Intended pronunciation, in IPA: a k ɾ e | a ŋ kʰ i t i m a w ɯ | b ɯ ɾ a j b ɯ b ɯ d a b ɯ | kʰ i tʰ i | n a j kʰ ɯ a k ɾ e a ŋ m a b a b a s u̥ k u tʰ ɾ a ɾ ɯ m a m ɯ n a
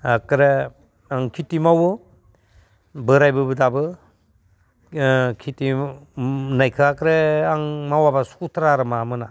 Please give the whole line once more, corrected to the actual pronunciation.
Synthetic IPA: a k ɾ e | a ŋ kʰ i t i m a w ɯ | b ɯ ɾ a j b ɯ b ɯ d a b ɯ | kʰ i t i | n a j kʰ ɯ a k ɾ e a ŋ m a w a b a s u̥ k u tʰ ɾ a ɾ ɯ m a m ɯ n a